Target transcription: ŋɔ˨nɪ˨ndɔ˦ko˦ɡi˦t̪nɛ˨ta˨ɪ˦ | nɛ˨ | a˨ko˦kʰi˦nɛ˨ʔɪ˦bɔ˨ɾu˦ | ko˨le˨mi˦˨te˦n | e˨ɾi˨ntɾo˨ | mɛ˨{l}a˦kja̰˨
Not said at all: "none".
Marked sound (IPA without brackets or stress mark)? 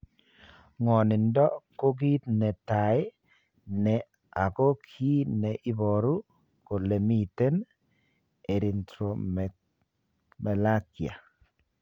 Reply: l